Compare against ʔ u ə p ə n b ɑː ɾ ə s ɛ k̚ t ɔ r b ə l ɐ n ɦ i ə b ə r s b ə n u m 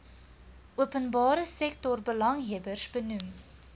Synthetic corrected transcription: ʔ u ə p ə n b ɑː ɾ ə s ɛ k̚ t ɔ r b ə l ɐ ŋ ɦ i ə b ə r s b ə n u m